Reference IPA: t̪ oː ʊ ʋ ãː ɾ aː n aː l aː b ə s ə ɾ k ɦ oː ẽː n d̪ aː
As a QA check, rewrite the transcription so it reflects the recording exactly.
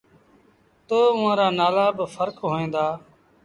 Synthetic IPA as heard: t̪ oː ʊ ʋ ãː ɾ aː n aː l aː b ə f ə ɾ k ɦ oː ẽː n d̪ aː